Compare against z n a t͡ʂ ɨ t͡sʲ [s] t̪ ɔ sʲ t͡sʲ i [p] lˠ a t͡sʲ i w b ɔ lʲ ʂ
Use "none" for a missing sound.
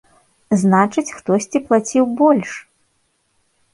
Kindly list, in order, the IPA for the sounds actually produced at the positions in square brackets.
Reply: x, p

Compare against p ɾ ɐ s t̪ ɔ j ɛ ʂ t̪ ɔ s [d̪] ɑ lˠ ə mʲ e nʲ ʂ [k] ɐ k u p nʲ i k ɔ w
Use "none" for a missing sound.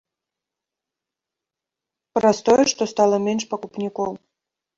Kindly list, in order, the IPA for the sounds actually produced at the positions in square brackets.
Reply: t̪, p

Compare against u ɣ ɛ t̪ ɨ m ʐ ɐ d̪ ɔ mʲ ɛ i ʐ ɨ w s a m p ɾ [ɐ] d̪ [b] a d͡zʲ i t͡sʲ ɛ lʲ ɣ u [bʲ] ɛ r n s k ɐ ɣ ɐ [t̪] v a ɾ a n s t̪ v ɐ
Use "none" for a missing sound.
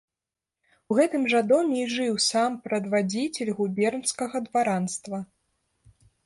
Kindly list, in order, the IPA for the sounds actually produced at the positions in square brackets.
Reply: ɐ, v, bʲ, d̪

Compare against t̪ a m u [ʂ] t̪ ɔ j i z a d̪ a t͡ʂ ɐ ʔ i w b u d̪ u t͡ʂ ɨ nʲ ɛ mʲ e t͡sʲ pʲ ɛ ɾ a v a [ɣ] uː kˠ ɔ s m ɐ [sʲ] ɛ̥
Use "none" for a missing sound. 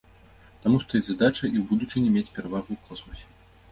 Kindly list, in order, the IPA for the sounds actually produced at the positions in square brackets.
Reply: s, ɣ, sʲ

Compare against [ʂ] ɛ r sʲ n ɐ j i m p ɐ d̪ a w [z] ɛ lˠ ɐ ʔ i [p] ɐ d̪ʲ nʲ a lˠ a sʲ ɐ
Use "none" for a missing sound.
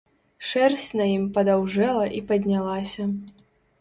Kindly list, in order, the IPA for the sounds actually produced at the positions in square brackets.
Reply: ʂ, ʐ, p

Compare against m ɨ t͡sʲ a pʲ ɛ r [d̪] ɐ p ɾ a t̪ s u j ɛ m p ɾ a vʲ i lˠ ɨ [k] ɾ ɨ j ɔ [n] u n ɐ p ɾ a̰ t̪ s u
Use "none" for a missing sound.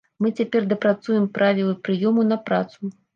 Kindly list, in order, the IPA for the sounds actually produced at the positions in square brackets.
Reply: d̪, p, m

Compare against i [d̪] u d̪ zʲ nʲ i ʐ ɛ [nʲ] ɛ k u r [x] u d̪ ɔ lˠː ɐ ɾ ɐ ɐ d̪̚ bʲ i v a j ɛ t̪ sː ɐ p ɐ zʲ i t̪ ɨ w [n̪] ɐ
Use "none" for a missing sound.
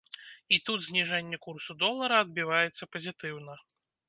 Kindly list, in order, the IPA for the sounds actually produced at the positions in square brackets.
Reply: t̪, nʲː, s, n̪

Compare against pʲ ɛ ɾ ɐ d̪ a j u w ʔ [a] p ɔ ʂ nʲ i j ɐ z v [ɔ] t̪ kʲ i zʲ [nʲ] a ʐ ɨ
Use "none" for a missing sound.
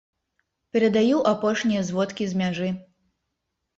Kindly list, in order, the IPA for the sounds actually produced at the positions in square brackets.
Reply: a, ɔ, mʲ

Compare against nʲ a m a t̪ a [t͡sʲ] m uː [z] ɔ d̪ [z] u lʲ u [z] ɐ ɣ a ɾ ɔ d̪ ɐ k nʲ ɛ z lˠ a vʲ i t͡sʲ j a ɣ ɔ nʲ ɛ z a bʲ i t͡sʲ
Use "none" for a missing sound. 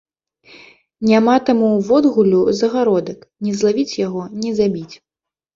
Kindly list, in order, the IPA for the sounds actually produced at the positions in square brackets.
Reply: none, v, ɣ, z

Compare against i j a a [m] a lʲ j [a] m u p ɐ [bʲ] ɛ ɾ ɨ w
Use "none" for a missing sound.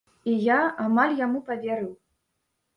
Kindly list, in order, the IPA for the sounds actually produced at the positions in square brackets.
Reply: m, a, vʲ

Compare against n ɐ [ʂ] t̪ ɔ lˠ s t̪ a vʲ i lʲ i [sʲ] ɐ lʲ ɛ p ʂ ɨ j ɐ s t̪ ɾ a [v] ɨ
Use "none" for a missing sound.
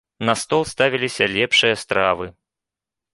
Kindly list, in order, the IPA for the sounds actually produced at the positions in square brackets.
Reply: s, sʲ, v

